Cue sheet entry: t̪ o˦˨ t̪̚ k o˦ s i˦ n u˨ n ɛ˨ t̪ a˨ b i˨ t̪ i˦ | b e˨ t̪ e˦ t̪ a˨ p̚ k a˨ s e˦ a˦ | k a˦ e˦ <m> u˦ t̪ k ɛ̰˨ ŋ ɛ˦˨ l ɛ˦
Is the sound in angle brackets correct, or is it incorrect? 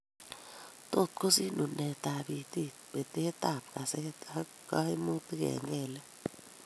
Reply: correct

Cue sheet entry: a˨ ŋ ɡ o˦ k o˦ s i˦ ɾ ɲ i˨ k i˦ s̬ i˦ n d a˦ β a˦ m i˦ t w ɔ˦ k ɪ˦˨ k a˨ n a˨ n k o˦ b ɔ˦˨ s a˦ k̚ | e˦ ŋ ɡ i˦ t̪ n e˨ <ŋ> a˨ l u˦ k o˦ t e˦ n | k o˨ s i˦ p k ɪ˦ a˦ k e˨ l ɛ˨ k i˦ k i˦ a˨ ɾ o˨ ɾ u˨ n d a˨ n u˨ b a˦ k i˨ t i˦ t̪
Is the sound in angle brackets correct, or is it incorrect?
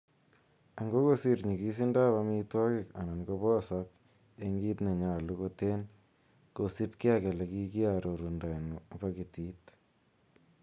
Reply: incorrect: ɲ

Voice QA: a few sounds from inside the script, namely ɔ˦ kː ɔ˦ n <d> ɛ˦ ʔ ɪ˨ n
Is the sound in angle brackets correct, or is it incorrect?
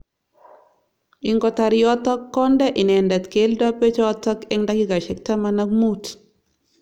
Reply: correct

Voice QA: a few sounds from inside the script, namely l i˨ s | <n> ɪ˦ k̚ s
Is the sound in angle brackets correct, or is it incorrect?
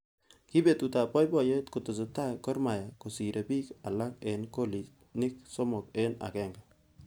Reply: correct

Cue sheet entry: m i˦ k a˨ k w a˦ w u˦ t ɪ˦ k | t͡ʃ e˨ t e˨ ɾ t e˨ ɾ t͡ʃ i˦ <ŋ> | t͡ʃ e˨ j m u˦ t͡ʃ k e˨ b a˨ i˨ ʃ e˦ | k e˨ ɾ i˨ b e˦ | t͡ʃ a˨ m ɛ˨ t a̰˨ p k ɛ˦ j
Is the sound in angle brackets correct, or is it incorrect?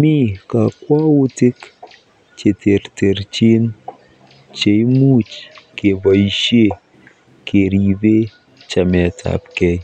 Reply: incorrect: n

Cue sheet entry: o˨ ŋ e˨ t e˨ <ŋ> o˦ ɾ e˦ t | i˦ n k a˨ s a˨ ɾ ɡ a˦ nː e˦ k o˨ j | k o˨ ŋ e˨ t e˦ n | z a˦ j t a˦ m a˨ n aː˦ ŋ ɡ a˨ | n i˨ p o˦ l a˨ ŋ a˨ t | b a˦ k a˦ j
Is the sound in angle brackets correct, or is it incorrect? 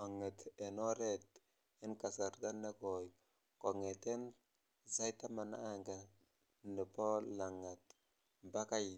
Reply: incorrect: n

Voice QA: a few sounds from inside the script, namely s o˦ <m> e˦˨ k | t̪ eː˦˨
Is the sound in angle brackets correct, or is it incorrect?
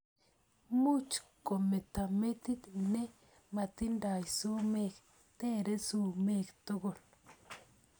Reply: correct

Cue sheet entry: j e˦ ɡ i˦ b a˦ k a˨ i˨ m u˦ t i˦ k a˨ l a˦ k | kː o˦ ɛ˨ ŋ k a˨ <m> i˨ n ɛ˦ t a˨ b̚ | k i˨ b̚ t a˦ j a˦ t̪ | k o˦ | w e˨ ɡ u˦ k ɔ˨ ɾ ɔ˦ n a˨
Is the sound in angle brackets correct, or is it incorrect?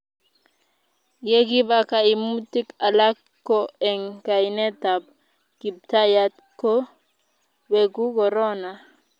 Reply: incorrect: none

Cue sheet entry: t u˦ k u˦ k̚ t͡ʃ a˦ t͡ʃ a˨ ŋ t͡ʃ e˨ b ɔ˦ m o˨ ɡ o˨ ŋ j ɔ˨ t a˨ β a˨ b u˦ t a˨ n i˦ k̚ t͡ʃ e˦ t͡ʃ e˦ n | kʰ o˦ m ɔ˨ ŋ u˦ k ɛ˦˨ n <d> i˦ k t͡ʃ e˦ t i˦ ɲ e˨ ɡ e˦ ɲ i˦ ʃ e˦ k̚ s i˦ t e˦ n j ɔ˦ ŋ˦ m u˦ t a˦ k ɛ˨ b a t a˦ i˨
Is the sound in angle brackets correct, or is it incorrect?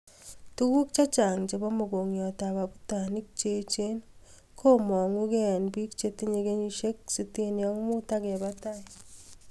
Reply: incorrect: b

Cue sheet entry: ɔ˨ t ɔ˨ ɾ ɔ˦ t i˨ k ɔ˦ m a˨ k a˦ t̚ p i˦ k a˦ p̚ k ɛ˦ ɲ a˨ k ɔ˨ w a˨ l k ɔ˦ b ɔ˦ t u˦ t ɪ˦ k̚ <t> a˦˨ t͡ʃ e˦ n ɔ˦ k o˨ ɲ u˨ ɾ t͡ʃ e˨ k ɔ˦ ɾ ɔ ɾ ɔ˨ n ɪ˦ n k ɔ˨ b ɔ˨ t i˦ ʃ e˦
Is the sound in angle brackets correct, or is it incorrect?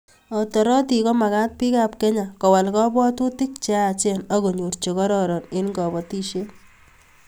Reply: incorrect: t͡ʃ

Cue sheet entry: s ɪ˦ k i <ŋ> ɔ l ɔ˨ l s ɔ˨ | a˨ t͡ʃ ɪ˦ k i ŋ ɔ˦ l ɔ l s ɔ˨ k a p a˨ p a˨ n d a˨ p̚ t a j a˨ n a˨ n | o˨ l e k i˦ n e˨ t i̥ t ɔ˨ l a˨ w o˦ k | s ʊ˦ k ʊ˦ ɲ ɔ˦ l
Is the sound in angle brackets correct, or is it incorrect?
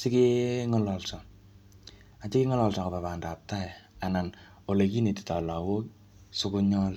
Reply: correct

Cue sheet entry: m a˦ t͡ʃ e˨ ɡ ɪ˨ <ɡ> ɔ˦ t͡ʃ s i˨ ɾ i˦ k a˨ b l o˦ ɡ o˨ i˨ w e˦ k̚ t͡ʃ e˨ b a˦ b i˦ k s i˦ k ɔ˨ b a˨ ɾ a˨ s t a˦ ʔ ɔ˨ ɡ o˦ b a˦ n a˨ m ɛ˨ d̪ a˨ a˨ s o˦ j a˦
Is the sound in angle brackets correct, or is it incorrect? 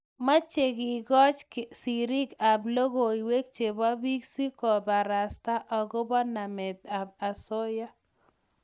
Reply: correct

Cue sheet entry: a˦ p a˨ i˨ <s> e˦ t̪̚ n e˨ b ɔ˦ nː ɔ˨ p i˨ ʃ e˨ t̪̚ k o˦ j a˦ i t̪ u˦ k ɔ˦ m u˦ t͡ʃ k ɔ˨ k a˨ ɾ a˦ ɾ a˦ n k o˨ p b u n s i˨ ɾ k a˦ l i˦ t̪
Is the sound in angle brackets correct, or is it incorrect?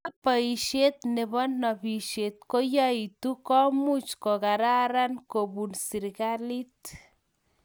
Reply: incorrect: ʃ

